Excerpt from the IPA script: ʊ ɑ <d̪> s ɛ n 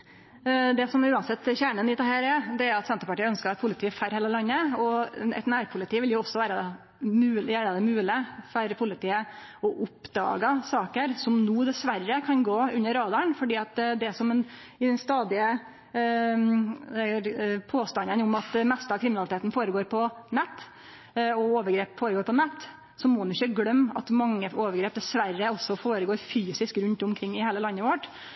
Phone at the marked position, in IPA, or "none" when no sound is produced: t̪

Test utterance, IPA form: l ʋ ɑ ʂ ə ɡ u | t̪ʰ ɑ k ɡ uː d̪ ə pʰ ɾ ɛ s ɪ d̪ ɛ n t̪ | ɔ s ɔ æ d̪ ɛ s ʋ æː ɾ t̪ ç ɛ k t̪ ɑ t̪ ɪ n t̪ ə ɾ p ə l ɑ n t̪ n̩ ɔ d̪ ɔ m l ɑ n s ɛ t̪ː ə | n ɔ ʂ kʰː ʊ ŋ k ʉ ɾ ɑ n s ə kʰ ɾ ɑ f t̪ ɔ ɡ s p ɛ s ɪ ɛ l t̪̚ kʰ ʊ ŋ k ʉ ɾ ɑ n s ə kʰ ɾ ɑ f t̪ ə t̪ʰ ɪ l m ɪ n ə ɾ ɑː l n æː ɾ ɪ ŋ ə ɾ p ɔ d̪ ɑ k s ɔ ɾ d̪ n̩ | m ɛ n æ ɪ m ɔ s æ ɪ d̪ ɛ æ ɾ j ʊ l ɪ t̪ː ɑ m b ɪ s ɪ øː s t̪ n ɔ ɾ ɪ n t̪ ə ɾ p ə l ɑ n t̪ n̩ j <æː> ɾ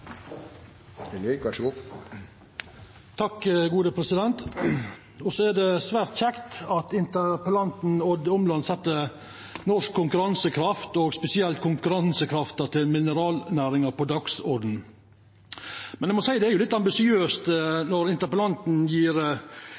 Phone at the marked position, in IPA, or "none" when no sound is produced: iː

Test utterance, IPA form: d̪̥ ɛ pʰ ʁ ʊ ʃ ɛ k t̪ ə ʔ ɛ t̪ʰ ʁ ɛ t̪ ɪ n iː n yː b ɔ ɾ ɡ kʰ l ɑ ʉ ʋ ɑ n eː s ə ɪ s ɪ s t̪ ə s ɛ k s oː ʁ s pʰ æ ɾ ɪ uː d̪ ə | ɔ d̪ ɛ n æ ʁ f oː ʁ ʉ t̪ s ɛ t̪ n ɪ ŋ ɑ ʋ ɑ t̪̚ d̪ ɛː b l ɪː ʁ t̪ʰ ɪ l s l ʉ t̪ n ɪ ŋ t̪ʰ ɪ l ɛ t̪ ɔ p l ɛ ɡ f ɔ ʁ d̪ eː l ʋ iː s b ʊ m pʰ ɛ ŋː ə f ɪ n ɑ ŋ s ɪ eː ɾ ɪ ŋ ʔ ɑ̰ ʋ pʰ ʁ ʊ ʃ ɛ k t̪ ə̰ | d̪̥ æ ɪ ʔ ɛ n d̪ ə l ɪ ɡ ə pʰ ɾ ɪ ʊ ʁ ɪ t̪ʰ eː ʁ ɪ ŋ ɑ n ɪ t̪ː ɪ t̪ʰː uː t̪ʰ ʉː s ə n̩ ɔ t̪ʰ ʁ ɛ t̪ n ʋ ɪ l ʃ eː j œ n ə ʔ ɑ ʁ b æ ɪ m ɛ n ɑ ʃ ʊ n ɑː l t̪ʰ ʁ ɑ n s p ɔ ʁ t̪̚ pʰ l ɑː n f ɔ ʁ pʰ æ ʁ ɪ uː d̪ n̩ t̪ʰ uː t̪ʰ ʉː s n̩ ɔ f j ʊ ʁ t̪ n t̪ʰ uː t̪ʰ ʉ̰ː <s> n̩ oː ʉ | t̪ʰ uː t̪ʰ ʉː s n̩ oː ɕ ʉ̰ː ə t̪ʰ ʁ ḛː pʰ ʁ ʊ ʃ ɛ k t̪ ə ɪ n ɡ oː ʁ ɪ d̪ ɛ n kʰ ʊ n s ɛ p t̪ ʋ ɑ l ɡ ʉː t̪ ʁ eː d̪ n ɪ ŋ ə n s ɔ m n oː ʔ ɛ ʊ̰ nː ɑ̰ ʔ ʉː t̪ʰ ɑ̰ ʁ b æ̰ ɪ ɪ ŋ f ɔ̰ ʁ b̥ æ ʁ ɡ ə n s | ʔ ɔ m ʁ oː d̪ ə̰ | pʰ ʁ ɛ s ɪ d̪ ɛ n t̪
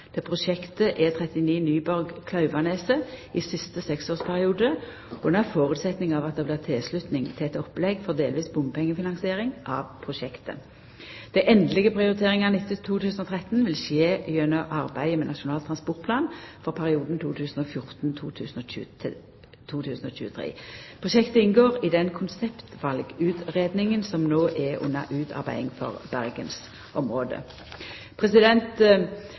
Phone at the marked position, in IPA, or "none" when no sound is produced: s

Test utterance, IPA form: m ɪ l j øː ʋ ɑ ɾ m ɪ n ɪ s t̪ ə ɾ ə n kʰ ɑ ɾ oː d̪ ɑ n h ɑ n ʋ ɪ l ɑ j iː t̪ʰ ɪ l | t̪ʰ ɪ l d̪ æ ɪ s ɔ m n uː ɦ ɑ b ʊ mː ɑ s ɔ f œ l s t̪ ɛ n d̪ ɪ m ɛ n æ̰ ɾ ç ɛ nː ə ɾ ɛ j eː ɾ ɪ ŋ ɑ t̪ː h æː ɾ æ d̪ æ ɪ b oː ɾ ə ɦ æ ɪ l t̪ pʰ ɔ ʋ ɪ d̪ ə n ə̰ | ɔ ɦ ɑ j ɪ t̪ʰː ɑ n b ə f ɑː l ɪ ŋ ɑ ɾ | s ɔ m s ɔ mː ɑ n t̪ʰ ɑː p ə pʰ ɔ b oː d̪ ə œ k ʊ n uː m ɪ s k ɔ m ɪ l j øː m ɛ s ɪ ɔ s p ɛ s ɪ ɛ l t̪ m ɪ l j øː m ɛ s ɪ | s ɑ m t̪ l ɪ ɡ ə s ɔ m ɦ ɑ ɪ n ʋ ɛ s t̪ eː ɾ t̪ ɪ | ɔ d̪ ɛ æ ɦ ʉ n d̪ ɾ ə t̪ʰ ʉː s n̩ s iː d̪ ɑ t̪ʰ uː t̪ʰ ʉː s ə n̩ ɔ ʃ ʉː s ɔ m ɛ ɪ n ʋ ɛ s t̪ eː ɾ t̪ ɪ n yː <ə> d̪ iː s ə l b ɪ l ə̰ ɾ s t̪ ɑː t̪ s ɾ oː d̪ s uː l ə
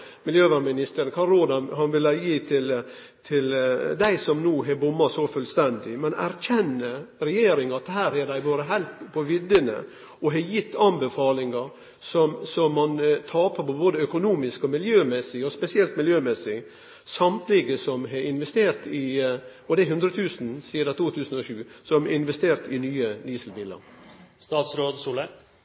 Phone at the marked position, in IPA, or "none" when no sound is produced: ə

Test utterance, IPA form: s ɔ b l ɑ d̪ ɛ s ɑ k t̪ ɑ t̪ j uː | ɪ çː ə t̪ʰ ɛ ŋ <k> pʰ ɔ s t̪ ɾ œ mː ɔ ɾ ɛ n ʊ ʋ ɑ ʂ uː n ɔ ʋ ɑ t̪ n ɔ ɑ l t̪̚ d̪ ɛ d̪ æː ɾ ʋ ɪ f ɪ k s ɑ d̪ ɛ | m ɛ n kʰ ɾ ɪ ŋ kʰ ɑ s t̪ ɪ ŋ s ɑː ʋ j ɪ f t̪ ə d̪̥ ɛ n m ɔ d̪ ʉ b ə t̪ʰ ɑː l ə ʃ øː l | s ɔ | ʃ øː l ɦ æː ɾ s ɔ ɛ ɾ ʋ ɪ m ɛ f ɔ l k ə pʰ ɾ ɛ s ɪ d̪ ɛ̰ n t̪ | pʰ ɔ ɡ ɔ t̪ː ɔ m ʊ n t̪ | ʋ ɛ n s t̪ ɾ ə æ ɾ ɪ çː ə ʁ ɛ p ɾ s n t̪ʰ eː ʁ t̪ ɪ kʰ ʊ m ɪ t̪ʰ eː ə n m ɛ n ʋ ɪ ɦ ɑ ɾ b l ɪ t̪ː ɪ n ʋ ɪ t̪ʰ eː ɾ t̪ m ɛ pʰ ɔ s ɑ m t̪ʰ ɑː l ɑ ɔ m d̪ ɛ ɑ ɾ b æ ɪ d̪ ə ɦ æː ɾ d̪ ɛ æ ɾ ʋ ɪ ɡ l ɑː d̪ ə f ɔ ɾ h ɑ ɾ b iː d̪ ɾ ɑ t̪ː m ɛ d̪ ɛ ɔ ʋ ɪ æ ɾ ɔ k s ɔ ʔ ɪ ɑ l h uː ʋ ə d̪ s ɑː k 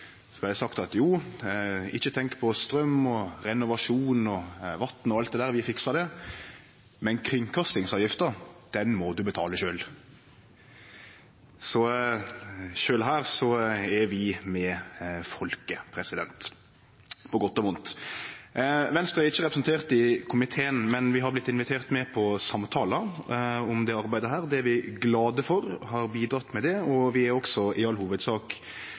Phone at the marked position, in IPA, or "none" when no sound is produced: k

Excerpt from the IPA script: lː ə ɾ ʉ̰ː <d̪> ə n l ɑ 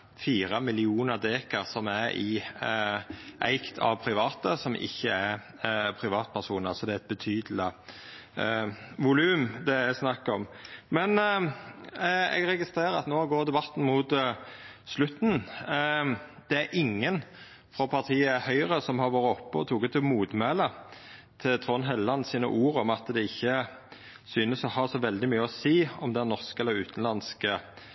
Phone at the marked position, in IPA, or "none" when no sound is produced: t̪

